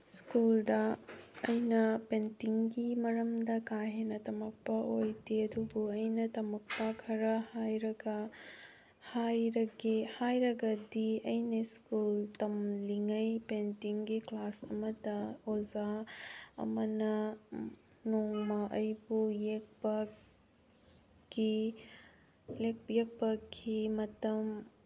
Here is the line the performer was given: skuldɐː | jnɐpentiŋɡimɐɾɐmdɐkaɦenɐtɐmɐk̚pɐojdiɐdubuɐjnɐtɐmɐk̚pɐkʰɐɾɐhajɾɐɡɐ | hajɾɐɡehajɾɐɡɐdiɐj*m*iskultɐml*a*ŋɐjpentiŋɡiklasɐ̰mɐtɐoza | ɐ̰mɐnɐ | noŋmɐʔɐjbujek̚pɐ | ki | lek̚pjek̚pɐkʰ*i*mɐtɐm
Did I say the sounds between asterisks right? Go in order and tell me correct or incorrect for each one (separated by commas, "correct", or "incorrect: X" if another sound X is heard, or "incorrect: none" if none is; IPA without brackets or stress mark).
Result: incorrect: n, incorrect: i, correct